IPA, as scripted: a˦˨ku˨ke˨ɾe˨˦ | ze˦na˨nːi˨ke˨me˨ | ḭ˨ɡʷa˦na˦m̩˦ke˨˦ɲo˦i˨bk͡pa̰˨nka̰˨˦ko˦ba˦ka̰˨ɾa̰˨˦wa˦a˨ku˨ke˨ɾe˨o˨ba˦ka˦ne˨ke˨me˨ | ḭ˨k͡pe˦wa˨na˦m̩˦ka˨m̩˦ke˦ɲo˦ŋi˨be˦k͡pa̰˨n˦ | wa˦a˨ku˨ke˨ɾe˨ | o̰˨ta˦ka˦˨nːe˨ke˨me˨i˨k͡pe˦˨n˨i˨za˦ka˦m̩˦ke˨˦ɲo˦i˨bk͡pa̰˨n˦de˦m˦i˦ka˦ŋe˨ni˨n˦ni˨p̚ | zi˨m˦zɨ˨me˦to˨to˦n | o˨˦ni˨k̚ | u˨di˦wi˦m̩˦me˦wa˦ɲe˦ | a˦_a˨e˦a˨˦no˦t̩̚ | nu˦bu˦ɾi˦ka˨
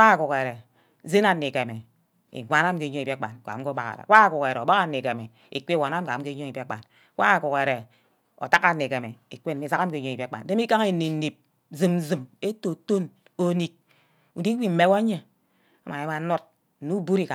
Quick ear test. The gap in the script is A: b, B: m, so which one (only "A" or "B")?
B